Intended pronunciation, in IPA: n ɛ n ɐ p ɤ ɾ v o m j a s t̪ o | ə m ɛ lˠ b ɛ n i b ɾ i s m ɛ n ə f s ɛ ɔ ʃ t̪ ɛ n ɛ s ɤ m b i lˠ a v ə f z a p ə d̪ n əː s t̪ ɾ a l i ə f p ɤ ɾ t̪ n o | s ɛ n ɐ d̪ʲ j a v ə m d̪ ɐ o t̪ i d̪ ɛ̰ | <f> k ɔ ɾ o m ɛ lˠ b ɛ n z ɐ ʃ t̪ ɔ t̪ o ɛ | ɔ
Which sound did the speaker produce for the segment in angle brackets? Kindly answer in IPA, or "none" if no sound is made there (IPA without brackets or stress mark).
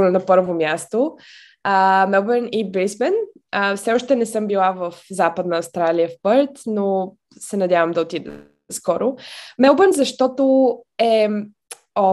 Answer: s